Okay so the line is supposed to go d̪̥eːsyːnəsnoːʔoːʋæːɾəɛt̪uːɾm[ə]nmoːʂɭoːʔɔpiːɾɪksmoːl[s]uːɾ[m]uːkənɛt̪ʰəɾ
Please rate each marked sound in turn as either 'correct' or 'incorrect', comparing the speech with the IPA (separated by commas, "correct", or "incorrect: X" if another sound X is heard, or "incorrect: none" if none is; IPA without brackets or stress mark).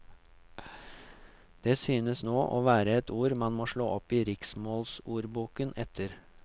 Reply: incorrect: ɑ, correct, incorrect: b